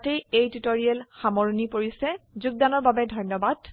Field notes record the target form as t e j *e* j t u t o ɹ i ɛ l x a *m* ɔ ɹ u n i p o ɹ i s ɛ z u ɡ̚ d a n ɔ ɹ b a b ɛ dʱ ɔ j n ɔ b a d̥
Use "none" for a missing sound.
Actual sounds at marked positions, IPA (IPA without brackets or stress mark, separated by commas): e, m